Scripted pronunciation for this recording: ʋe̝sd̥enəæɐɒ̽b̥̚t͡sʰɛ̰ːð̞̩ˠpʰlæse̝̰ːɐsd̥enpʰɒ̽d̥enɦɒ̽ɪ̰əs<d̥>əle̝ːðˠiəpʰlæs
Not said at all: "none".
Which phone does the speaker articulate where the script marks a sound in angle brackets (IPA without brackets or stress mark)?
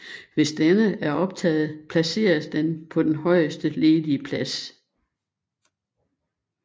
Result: d̥